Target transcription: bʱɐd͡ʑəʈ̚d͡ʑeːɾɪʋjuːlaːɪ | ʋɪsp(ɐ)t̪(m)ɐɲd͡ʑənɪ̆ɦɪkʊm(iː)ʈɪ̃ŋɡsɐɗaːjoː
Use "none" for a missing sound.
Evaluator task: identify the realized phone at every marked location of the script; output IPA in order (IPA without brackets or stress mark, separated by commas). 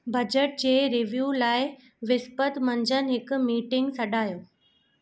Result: ə, m, iː